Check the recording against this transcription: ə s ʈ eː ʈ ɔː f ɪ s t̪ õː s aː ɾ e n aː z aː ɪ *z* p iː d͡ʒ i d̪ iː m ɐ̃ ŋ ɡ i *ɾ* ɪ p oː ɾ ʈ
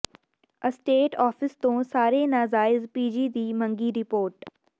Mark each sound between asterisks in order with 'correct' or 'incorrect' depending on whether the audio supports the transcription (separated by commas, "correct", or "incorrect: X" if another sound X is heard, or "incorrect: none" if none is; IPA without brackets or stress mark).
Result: correct, correct